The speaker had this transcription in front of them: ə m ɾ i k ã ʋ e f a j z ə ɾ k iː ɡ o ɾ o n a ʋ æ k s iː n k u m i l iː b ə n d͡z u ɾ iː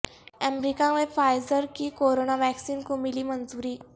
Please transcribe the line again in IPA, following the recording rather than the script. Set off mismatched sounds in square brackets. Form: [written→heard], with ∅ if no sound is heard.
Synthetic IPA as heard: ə m ɾ i k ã ʋ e f a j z ə ɾ k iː [ɡ→k] o ɾ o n a ʋ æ k s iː n k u m i l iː [b→m] ə n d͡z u ɾ iː